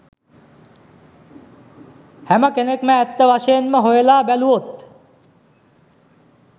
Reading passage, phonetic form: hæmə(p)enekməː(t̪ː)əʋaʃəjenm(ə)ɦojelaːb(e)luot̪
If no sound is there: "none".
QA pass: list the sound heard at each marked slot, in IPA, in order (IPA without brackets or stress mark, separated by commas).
k, t̪ː, ə, æ